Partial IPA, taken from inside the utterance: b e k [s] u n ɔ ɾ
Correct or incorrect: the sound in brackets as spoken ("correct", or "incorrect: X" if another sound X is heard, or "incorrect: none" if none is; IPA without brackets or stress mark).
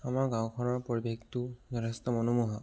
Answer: incorrect: t